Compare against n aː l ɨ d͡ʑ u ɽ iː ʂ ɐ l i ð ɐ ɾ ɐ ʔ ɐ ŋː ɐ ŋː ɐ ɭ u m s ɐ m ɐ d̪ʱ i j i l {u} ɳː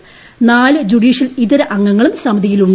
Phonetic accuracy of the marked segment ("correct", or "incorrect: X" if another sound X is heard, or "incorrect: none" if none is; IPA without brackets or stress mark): correct